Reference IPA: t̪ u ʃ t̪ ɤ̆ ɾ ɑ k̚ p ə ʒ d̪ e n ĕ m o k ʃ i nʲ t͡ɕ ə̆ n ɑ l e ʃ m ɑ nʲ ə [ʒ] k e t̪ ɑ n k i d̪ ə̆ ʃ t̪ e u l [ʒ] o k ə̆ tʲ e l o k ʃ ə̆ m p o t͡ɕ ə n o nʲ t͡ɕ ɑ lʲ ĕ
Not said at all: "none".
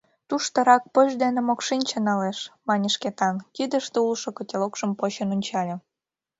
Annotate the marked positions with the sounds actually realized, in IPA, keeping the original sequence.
ʃ, ʃ

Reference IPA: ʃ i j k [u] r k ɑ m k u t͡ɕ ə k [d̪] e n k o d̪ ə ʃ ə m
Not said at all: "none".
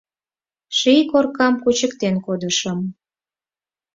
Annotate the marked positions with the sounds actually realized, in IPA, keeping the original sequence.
o, t̪

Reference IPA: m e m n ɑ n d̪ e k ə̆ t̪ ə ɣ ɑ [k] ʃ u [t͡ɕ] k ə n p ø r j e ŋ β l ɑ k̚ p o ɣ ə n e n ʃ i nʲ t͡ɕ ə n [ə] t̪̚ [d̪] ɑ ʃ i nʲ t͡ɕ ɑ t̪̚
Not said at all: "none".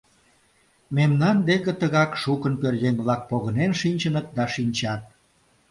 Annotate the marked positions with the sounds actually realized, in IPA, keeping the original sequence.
k, none, ə, d̪

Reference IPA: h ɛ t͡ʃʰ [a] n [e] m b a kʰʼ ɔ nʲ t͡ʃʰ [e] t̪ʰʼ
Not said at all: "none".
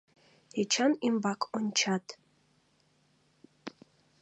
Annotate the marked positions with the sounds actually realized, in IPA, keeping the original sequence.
a, i, a

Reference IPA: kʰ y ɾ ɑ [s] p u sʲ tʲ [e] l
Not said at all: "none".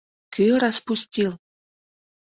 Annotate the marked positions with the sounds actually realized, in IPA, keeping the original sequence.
s, i

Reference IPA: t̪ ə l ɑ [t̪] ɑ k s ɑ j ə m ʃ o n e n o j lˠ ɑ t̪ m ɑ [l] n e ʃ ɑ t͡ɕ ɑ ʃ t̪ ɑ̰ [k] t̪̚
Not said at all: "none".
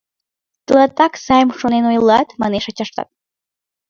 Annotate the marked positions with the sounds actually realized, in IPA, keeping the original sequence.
t̪, none, none

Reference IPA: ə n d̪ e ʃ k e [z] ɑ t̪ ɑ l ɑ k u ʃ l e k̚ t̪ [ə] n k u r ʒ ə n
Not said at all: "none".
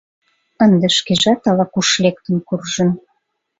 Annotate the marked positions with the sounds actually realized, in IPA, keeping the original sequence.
ʒ, ə

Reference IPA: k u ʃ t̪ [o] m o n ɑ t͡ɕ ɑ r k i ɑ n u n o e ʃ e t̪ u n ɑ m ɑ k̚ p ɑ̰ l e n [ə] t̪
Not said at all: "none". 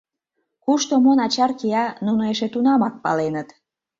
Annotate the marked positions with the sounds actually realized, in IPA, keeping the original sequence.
o, ə

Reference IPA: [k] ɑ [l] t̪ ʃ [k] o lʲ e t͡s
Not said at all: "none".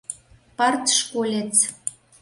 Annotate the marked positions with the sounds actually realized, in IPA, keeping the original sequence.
p, r, k

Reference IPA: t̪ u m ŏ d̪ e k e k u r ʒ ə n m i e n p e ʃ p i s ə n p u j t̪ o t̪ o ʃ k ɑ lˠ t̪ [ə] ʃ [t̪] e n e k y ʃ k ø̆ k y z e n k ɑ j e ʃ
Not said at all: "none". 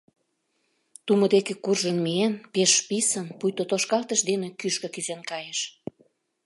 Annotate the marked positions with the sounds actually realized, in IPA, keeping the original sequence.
ə, d̪

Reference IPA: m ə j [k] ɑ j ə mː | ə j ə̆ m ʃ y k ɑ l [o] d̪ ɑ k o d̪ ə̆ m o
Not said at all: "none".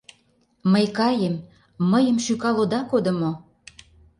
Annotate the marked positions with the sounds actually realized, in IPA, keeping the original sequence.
k, o

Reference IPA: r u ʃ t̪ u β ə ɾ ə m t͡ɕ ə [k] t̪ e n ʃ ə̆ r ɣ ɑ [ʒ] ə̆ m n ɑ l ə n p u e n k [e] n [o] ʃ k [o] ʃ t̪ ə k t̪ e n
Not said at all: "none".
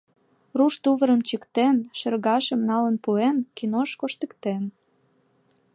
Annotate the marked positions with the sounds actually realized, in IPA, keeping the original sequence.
k, ʃ, i, o, o

